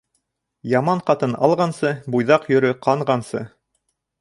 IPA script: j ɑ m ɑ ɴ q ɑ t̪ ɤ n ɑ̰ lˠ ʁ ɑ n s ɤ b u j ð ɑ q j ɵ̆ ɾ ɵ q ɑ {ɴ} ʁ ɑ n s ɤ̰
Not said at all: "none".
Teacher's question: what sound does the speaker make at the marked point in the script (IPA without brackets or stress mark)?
ɴ